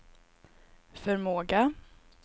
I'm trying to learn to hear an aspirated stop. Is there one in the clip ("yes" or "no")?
no